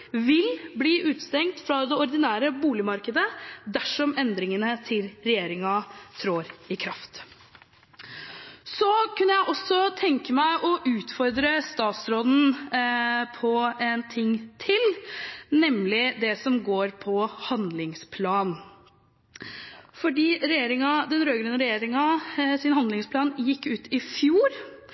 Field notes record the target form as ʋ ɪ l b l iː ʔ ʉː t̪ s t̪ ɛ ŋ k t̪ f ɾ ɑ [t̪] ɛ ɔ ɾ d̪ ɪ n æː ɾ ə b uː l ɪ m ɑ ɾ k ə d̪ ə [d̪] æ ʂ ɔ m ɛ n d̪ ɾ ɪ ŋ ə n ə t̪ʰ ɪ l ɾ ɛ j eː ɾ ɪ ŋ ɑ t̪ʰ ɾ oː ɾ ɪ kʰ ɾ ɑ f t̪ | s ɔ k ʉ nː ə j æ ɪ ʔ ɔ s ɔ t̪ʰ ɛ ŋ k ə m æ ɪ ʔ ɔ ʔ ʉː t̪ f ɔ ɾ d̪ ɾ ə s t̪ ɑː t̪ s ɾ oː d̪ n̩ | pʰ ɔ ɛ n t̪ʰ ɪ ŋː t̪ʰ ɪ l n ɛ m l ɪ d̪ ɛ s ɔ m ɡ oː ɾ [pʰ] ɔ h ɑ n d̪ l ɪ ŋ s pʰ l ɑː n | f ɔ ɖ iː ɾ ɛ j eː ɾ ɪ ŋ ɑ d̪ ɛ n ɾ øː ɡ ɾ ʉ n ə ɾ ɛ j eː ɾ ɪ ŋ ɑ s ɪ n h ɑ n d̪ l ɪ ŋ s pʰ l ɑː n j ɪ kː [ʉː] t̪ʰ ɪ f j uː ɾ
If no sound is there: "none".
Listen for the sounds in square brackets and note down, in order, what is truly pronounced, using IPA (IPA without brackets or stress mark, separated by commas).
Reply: d̪, d̪, pʰ, ʉː